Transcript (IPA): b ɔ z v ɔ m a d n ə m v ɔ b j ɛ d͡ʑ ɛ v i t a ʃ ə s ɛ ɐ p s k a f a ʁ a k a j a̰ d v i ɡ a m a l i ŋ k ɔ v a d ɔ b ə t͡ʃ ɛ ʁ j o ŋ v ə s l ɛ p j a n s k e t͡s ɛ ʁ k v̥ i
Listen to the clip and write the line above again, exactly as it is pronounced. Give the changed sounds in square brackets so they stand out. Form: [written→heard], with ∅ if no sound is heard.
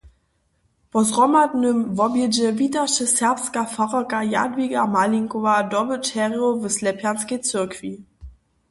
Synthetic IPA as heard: [b→p] ɔ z [v→ʁ] ɔ m a d n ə m v ɔ b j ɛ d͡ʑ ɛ v i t a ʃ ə s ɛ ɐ p s k a f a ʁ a k a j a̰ d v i ɡ a m a l i ŋ k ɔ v a d ɔ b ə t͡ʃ ɛ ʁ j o [ŋ→∅] v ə s l ɛ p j a n s k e t͡s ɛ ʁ k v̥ i